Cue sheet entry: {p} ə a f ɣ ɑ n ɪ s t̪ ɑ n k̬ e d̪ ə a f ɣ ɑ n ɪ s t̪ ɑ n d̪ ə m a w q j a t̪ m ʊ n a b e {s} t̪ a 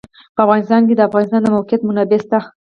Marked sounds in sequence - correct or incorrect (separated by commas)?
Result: correct, correct